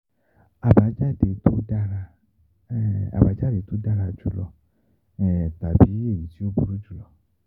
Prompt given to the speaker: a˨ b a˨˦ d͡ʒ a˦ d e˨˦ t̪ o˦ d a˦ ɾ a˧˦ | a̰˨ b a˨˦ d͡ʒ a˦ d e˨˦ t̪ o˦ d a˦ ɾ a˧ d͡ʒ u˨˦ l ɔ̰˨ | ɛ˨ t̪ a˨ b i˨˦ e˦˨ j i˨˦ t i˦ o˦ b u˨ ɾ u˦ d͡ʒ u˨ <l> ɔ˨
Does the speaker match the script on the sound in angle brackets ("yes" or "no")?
yes